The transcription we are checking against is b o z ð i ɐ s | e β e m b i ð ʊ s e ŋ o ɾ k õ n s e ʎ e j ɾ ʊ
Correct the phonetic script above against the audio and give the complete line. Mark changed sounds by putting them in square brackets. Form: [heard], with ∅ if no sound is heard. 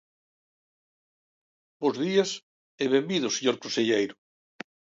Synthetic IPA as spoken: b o z ð i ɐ s | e β e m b i ð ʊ s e [ɲ] o ɾ k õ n s e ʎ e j ɾ ʊ

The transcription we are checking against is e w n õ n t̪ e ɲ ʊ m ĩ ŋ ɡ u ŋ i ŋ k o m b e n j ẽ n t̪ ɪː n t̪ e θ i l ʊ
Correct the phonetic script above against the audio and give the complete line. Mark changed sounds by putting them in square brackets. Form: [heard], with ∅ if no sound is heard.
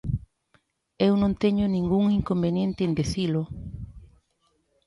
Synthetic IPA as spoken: e w n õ n t̪ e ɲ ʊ [n] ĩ ŋ ɡ u ŋ i ŋ k o m b e n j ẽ n t̪ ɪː n [d̪] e θ i l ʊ

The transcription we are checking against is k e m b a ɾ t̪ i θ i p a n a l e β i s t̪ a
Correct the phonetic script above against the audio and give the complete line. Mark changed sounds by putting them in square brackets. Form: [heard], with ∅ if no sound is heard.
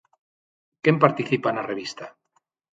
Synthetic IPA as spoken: k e m [p] a ɾ t̪ i θ i p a n a [r] e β i s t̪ a

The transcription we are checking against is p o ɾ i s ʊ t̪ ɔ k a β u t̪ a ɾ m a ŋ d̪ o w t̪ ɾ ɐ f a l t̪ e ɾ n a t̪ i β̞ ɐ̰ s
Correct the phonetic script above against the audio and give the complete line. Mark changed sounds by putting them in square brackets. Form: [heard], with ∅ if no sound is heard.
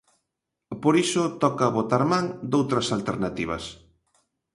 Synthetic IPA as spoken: p o ɾ i s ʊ t̪ ɔ k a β [o] t̪ a ɾ m a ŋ d̪ o w t̪ ɾ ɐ [s] a l t̪ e ɾ n a t̪ i β̞ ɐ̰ s

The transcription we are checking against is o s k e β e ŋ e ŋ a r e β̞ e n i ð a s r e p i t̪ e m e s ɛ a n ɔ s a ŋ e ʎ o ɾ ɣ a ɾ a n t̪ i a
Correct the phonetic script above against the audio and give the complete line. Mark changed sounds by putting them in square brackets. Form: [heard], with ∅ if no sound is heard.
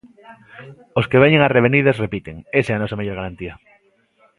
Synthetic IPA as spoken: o s k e β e [ɲ] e ŋ a r e β̞ e n i ð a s r e p i t̪ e [ŋ] e s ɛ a n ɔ s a [m] e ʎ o ɾ ɣ a ɾ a n t̪ i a

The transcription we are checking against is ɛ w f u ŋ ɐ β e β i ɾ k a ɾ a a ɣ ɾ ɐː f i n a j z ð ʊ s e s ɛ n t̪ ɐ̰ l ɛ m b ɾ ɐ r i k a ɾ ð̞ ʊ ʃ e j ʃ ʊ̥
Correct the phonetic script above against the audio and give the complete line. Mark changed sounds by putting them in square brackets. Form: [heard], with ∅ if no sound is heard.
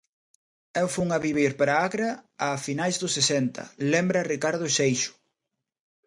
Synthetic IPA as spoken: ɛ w f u ŋ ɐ β [i] β i ɾ [p] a ɾ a a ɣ ɾ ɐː f i n a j z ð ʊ s e s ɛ n t̪ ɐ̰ l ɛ m b ɾ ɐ r i k a ɾ ð̞ ʊ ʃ e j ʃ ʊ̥

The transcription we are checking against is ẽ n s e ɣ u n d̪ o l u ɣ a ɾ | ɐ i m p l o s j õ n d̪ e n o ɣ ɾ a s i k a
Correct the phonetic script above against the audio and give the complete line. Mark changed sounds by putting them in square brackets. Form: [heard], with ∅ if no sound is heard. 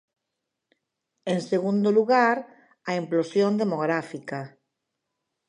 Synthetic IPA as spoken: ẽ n s e ɣ u n d̪ o l u ɣ a ɾ | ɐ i m p l o s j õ n d̪ e [m] o ɣ ɾ a [f] i k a

